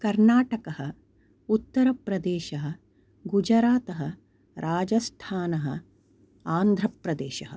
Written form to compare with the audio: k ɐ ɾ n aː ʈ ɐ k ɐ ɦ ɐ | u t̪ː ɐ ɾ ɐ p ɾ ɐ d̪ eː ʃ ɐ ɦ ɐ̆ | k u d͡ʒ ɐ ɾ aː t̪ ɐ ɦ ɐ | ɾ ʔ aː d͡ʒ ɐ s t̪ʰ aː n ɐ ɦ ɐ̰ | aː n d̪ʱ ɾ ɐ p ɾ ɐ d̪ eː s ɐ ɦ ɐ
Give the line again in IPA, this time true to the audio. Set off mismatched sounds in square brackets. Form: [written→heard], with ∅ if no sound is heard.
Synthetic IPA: k ɐ ɾ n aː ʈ ɐ k ɐ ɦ ɐ | u t̪ː ɐ ɾ ɐ p ɾ ɐ d̪ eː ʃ ɐ ɦ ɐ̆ | [k→ɡ] u d͡ʒ ɐ ɾ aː t̪ ɐ ɦ ɐ | ɾ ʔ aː d͡ʒ ɐ s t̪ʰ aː n ɐ ɦ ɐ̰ | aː n d̪ʱ ɾ ɐ p ɾ ɐ d̪ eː [s→ʃ] ɐ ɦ ɐ